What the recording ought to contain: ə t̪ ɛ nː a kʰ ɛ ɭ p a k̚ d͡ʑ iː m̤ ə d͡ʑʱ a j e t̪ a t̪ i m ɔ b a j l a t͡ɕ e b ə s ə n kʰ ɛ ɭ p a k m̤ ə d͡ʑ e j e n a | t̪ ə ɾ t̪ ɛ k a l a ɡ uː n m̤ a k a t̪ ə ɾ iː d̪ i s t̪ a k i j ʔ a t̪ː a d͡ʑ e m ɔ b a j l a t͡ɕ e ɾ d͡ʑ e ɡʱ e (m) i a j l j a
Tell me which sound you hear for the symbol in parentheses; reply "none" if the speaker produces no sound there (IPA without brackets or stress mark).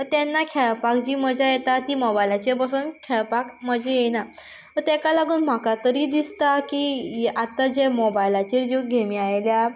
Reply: m